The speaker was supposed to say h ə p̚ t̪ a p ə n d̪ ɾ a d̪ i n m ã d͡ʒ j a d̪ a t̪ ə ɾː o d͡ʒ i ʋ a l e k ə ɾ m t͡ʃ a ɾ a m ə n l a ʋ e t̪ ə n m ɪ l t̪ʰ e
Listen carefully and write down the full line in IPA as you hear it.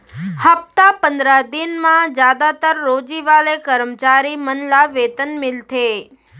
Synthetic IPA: h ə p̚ t̪ a p ə n d̪ ɾ a d̪ i n m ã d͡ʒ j a d̪ a t̪ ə ɾː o d͡ʒ i ʋ a l e k ə ɾ m t͡ʃ a ɾ i m ə n l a ʋ e t̪ ə n m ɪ l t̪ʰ e